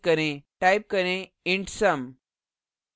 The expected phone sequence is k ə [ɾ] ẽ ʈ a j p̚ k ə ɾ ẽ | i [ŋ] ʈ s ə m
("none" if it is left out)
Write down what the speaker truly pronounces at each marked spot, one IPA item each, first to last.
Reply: ɾ, ɳ

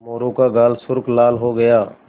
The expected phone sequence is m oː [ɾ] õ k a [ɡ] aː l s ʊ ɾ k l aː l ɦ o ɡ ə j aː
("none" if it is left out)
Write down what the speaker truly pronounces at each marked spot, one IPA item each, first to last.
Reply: ɾ, ɡ

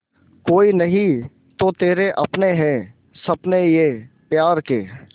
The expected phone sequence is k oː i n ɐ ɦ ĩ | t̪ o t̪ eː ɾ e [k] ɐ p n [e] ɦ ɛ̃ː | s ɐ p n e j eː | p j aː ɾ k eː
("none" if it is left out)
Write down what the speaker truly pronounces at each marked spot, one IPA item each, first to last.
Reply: ʔ, e

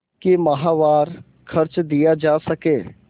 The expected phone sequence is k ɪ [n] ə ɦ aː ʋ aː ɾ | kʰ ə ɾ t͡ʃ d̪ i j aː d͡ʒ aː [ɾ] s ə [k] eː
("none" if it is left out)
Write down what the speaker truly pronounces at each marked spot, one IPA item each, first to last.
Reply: m, none, k

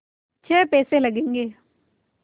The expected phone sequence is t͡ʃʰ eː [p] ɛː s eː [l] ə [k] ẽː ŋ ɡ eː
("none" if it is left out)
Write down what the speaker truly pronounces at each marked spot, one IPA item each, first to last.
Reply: p, l, ɡ

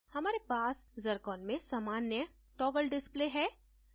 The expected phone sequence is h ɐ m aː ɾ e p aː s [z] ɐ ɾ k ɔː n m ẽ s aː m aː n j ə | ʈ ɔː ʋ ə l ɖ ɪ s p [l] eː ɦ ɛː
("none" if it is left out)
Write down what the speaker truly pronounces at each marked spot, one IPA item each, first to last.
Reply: z, l

